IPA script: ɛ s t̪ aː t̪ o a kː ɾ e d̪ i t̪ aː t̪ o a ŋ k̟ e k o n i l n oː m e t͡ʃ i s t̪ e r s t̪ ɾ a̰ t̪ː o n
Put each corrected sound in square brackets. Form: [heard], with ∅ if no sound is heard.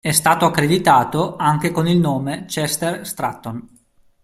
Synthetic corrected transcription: ɛ s t̪ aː t̪ o a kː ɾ e d̪ i t̪ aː t̪ o a ŋ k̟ e k o n i l n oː m e t͡ʃ [ɛ] s t̪ e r s t̪ ɾ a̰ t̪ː o n